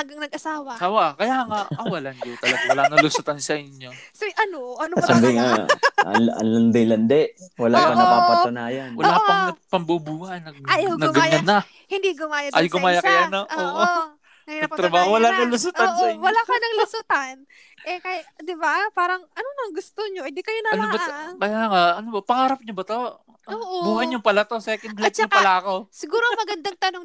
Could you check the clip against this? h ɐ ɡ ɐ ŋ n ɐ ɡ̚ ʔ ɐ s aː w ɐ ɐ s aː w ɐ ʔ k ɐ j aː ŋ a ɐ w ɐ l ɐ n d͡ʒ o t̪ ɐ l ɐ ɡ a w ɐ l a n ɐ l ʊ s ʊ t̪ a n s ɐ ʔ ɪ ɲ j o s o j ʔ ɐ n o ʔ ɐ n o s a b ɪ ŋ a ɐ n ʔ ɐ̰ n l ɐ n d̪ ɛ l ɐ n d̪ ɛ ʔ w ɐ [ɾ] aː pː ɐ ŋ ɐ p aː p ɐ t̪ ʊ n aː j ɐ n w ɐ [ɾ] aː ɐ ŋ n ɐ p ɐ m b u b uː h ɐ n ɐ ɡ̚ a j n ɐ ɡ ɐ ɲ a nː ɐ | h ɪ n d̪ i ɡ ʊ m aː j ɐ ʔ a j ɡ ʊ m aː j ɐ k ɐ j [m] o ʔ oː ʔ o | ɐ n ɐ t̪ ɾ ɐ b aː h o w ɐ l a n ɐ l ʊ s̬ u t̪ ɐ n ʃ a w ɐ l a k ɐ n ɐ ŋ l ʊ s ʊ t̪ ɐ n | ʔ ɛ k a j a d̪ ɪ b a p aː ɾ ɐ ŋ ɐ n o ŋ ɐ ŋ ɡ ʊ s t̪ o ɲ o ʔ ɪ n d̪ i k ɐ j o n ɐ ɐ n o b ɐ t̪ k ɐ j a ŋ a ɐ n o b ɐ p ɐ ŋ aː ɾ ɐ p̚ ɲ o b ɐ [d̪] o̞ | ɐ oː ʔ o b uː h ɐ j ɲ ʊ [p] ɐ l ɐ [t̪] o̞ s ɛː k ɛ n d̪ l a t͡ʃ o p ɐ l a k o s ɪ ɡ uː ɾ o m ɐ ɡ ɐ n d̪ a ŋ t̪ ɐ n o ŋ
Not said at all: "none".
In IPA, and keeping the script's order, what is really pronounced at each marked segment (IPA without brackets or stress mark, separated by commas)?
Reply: l, l, n, t̪, p, t̪